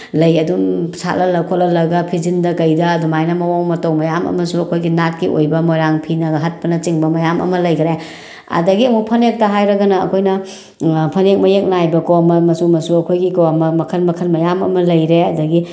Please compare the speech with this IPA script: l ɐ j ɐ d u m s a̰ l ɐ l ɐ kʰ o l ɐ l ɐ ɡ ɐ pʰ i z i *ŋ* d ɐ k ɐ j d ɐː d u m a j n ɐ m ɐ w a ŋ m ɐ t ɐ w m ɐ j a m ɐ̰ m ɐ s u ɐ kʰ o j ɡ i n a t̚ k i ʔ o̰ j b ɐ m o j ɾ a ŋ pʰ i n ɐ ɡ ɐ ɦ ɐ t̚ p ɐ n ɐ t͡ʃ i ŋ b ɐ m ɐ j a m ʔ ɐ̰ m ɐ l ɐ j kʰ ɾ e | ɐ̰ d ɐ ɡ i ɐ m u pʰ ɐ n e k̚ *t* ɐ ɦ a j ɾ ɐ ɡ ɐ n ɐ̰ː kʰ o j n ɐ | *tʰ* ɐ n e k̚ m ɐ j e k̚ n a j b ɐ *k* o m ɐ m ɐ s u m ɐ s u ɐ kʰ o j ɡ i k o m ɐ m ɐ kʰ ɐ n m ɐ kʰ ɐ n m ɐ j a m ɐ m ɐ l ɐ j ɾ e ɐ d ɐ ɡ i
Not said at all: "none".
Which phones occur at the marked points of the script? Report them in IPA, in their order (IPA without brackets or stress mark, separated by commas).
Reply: n, t, pʰ, k